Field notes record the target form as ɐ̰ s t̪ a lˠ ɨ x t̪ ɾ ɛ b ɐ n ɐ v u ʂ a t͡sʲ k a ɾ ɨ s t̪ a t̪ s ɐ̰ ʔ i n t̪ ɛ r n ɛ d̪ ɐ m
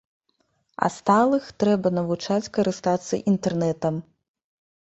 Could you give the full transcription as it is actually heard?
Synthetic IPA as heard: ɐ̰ s t̪ a lˠ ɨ x t̪ ɾ ɛ b ɐ n ɐ v u t͡ʂ a t͡sʲ k ɐ ɾ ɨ s t̪ a t̪ s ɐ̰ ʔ i n t̪ ɛ r n ɛ t̪ ɐ m